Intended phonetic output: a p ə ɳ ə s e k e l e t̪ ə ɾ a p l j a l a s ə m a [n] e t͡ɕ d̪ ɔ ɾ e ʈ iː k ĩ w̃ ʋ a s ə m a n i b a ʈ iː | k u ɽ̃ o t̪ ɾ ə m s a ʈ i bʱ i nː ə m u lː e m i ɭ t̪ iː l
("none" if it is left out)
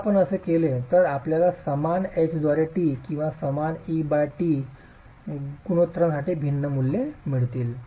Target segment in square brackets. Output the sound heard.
n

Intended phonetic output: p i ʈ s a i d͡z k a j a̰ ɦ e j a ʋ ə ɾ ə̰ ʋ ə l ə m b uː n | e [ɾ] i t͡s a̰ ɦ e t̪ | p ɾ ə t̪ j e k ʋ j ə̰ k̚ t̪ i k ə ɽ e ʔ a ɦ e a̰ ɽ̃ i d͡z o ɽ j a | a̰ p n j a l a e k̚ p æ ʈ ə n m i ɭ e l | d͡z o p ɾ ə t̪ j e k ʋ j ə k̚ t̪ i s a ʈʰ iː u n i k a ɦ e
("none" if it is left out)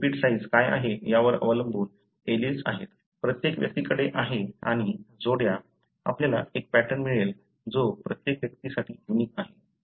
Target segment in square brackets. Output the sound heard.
l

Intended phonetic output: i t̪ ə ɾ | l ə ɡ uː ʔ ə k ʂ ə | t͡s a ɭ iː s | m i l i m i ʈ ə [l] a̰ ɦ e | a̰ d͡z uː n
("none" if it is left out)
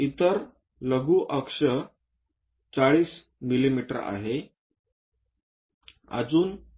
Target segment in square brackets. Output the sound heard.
ɾ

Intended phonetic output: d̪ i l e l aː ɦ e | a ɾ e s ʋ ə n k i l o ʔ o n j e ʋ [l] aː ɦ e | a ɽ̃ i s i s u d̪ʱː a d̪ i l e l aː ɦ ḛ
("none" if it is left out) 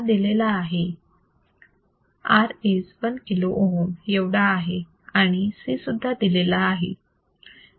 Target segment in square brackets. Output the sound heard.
ɽ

